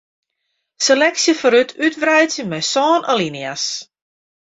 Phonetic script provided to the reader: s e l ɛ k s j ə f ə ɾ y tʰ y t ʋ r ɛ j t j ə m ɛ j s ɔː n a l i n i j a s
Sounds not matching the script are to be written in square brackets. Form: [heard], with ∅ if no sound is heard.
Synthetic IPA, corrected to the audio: s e l ɛ k s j ə f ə ɾ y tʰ y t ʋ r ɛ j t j ə m ɛ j s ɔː n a l i n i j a s